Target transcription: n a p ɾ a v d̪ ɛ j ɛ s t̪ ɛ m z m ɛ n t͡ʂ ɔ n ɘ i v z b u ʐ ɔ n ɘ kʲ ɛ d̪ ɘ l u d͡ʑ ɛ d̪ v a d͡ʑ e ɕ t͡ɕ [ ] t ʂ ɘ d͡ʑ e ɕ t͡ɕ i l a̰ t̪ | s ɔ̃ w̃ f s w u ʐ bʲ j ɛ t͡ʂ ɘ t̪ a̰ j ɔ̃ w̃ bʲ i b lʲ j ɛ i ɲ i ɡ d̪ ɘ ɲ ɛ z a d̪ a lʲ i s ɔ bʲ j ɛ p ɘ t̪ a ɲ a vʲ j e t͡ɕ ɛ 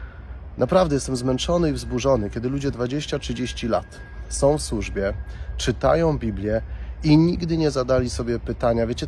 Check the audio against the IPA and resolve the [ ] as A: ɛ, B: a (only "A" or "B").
B